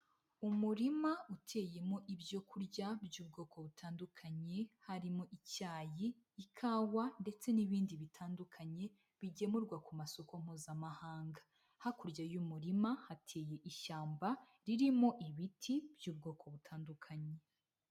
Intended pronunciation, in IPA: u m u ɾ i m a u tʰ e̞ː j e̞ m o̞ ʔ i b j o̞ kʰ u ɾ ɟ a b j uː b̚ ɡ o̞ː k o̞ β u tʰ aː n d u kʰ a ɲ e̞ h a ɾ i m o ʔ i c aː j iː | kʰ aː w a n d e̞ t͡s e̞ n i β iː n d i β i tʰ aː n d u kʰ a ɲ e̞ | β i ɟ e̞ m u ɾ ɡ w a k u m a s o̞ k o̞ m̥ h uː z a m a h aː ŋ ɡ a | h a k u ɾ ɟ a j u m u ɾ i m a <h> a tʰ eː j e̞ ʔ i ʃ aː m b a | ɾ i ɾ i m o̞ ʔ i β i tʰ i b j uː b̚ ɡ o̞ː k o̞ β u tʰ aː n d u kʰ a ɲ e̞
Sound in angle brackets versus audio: correct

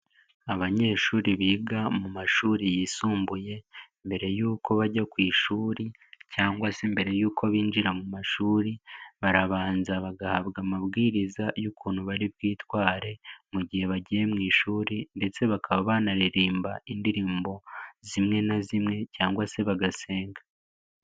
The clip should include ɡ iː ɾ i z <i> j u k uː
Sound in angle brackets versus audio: incorrect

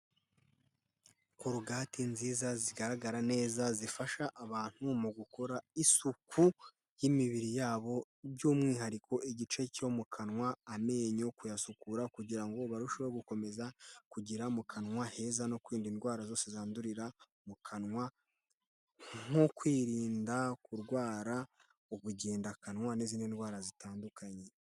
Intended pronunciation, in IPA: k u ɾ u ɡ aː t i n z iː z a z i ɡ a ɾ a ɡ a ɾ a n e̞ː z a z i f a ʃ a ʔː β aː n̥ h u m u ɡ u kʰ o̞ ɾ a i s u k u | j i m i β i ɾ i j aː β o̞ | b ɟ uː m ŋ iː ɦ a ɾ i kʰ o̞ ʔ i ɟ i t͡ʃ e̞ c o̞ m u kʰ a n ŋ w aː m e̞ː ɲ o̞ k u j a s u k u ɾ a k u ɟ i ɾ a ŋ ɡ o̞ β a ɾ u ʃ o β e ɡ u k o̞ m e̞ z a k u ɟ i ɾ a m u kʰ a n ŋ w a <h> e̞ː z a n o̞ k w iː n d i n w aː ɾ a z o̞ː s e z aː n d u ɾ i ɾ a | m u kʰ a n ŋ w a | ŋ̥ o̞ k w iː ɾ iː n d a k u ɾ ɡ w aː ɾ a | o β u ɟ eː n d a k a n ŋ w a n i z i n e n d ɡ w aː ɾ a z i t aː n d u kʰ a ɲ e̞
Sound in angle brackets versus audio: correct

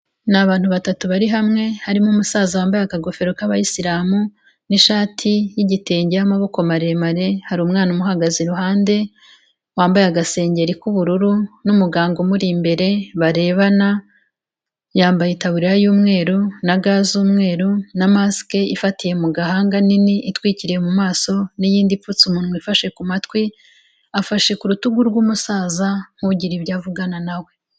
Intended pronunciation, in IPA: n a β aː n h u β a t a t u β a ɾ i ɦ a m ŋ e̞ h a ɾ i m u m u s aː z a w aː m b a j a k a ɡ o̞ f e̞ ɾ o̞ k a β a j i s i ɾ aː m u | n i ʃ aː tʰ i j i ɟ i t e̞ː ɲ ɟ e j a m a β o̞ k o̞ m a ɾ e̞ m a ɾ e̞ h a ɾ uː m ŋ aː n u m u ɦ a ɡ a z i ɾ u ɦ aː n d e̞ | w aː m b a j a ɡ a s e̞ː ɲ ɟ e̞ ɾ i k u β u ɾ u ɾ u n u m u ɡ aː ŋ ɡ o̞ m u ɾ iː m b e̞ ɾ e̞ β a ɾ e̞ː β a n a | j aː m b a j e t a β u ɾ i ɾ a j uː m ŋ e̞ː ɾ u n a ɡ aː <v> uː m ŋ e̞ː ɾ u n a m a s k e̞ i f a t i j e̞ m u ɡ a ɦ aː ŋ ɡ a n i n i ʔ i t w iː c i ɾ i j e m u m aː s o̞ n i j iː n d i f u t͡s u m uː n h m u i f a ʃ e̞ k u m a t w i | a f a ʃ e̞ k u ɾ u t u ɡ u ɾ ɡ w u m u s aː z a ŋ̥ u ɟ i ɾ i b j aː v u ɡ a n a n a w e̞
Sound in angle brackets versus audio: incorrect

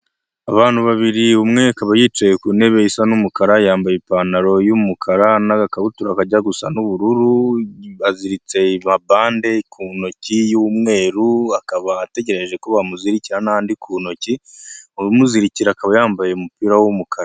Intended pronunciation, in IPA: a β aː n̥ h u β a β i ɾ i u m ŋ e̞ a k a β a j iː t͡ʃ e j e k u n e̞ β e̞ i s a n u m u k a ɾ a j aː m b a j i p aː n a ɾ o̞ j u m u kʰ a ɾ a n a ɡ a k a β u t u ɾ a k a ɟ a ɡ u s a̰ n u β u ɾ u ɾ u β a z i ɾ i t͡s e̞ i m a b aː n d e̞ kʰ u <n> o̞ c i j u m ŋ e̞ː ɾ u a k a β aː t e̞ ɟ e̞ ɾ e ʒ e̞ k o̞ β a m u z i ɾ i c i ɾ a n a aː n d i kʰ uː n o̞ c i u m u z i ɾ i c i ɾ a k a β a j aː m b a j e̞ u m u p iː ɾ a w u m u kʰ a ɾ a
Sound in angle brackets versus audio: correct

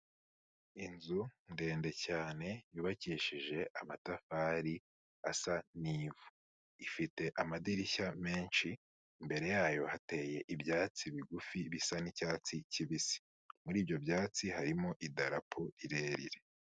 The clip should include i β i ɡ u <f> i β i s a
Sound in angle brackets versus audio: correct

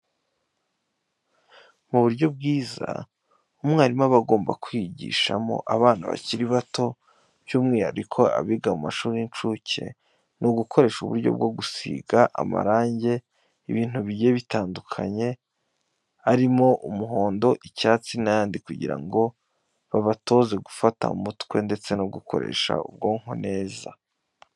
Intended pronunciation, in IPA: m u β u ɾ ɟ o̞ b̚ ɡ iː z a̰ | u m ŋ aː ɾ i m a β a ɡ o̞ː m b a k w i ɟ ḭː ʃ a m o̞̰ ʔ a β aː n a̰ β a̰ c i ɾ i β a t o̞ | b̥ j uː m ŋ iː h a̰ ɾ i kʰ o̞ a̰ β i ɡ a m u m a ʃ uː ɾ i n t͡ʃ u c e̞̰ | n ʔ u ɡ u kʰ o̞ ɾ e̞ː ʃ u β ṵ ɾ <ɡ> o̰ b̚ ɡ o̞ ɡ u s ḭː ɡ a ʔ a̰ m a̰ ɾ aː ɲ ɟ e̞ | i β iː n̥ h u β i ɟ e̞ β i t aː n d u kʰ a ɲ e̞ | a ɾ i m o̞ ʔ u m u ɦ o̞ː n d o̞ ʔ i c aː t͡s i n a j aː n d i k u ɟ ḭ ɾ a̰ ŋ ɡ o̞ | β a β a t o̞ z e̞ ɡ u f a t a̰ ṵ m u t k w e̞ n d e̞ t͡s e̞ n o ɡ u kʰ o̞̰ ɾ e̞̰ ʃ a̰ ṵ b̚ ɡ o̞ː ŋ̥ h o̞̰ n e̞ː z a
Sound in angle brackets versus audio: incorrect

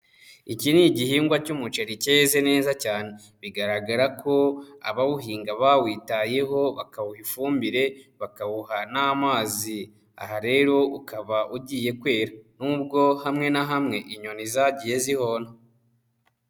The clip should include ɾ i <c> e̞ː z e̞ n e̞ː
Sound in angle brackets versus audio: correct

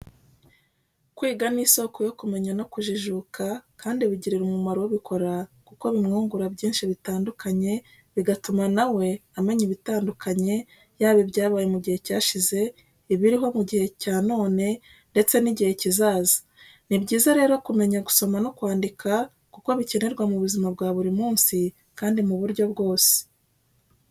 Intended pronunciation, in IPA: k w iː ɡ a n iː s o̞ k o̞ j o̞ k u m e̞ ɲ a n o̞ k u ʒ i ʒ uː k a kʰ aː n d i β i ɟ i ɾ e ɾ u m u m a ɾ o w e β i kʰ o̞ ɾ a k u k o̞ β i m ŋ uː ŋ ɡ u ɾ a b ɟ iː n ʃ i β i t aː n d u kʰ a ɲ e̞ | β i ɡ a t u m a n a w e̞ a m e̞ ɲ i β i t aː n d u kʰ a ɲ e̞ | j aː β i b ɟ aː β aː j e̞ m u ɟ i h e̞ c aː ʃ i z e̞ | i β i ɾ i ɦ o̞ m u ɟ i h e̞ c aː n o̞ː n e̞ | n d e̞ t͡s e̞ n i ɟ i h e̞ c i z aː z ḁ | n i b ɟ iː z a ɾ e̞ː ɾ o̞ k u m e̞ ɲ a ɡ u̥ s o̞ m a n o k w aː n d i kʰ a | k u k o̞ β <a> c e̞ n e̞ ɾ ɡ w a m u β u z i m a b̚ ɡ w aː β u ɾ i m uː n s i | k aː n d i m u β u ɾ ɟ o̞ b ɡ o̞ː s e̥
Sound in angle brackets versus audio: incorrect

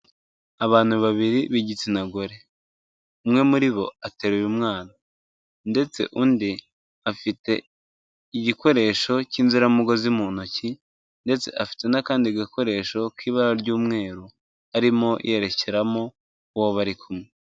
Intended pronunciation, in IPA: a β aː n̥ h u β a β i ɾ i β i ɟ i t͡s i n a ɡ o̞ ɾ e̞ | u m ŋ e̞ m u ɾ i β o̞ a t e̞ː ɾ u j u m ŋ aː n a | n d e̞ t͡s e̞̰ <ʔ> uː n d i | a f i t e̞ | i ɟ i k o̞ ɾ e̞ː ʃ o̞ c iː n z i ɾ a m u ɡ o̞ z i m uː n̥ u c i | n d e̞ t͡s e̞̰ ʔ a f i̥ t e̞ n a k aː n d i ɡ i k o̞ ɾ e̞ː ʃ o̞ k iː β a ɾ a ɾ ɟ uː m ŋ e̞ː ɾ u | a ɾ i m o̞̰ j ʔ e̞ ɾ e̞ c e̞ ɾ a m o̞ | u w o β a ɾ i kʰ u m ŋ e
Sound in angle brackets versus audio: correct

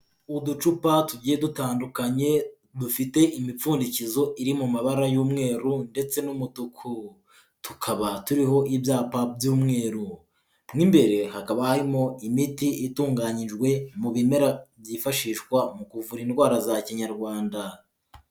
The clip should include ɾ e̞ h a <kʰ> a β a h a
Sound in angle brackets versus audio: incorrect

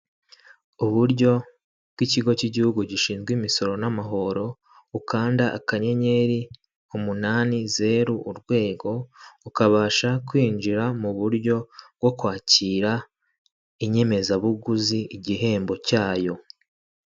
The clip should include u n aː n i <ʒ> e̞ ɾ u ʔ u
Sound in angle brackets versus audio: incorrect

